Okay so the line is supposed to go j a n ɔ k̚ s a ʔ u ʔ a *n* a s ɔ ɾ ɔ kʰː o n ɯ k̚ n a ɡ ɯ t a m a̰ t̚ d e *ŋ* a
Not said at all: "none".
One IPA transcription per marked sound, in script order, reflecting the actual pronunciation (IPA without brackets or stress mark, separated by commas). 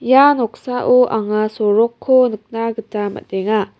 ŋ, ŋ